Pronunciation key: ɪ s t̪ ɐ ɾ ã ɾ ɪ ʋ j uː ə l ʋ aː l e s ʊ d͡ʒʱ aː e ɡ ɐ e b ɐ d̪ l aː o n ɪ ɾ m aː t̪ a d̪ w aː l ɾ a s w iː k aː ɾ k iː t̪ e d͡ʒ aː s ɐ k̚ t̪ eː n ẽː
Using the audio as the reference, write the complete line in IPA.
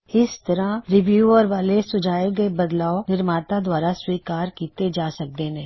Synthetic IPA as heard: ɪ s t̪ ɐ ɾ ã ɾ ɪ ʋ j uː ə ɾ ʋ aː l e s ʊ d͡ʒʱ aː e ɡ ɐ e b ɐ d̪ l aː o n ɪ ɾ m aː t̪ a d̪ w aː ɾ a s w iː k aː ɾ k iː t̪ e d͡ʒ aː s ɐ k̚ d̪ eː n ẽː